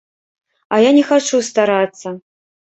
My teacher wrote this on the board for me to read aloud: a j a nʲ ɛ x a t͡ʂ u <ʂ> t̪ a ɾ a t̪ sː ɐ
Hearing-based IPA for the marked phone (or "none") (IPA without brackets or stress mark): s